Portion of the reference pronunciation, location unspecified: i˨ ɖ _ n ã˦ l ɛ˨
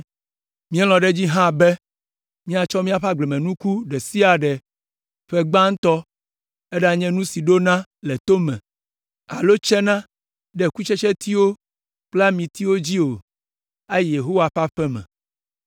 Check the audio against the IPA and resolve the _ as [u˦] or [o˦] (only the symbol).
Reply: o˦